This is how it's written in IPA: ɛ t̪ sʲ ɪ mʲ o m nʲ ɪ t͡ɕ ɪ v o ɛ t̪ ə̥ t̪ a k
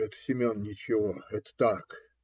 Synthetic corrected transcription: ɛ t̪ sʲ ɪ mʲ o n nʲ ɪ t͡ɕ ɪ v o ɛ t̪ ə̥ t̪ a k